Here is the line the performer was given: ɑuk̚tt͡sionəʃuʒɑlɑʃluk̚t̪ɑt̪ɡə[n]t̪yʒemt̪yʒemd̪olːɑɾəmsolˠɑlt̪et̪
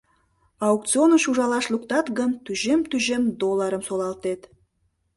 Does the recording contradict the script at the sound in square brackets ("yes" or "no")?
no